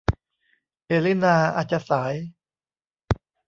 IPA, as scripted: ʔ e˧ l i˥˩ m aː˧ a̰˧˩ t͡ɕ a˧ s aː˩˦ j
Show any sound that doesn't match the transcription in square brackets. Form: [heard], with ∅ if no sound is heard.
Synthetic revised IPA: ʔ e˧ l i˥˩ [n] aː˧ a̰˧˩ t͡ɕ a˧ s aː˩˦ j